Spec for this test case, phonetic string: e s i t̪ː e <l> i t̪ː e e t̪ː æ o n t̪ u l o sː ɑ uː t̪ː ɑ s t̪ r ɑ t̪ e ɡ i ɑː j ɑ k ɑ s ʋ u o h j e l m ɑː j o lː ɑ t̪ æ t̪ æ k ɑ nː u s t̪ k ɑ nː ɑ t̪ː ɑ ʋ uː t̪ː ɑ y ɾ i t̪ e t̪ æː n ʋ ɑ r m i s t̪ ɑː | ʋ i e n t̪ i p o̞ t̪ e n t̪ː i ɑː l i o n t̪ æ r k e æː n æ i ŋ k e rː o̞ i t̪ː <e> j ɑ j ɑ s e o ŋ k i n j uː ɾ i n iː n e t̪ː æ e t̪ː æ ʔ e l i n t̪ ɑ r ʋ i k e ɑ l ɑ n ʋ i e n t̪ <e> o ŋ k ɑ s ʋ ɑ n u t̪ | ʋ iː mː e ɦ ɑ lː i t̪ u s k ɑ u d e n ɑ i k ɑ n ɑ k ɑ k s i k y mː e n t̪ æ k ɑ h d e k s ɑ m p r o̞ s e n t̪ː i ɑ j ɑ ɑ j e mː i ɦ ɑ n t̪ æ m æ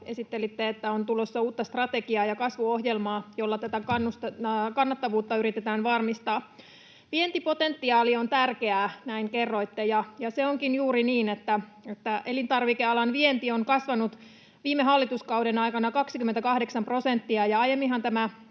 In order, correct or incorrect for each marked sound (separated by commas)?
correct, correct, incorrect